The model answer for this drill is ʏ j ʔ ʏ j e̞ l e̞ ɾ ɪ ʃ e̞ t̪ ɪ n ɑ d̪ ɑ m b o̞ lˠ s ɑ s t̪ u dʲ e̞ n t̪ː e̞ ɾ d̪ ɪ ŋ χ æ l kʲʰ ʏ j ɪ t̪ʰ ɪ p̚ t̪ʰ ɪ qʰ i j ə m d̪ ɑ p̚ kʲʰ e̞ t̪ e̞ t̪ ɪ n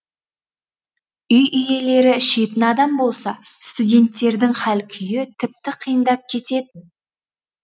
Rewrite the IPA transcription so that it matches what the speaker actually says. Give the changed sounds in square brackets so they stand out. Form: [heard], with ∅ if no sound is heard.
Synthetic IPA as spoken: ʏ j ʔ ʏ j e̞ l e̞ ɾ ɪ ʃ e̞ t̪ ɪ n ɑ d̪ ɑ m b o̞ lˠ s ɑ s t̪ u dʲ e̞ n t̪ː e̞ ɾ d̪ ɪ ŋ χ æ l kʲʰ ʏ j ɪ t̪ʰ ɪ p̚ [t̪] ɪ qʰ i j ə [n] d̪ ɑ p̚ kʲʰ e̞ t̪ e̞ t̪ ɪ n